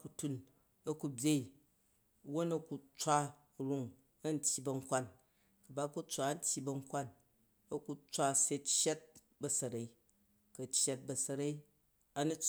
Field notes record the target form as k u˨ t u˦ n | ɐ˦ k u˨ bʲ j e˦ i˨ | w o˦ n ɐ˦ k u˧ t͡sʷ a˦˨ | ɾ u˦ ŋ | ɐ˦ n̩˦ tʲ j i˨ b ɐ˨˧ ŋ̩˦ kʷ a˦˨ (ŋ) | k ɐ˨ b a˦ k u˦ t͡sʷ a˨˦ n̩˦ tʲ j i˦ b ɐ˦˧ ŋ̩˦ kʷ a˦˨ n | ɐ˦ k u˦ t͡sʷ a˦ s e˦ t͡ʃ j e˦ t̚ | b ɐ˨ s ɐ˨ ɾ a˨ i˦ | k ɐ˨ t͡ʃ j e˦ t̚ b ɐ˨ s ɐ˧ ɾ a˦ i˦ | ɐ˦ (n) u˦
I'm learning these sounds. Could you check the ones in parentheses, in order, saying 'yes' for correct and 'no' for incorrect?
no, yes

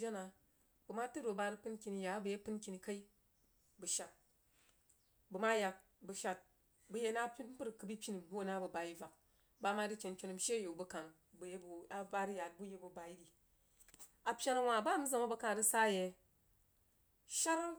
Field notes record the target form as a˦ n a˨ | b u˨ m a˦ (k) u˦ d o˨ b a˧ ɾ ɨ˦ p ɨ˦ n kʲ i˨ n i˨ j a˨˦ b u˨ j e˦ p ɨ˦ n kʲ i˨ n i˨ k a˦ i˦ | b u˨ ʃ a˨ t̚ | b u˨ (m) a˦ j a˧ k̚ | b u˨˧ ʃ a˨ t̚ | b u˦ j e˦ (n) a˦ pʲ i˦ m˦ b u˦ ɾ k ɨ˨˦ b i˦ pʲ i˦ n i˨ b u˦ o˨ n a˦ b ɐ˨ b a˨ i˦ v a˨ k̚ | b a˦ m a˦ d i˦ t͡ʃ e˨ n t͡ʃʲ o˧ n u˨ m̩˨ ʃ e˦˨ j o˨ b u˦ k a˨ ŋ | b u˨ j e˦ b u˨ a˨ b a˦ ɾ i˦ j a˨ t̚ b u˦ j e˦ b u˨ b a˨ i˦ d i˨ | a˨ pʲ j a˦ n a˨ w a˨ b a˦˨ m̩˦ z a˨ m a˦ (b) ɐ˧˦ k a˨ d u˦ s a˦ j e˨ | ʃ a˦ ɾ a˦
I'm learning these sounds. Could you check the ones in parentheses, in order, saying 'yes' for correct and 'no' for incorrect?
no, yes, yes, yes

